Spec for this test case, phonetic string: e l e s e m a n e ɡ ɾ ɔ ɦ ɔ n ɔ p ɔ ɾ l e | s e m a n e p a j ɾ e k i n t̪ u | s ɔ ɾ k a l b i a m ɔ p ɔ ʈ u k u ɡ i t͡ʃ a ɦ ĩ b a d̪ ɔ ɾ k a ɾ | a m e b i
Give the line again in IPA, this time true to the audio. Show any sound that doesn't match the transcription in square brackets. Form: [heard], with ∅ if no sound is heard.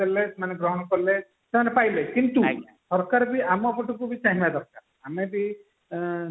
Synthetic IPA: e l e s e m a n e ɡ ɾ ɔ ɦ ɔ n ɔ [k] ɔ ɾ l e | s e m a n e p a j [l] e k i n t̪ u | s ɔ ɾ k a [ɾ] b i a m ɔ p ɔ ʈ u k u [b] i t͡ʃ a ɦ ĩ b a d̪ ɔ ɾ k a ɾ | a m e b i